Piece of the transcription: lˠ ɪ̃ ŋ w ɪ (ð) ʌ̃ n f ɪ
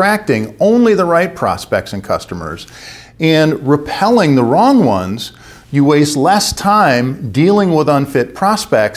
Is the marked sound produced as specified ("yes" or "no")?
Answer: yes